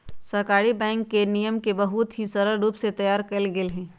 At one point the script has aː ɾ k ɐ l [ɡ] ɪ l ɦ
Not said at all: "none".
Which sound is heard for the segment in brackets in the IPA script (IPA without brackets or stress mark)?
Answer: ɡ